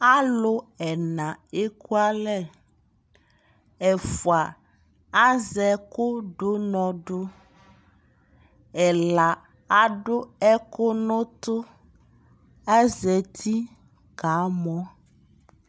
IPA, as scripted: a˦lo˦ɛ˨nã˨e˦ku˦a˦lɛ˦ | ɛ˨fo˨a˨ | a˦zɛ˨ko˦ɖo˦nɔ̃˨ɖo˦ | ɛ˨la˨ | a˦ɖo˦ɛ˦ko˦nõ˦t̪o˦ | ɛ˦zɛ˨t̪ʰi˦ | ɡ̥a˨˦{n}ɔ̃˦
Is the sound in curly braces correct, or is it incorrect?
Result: incorrect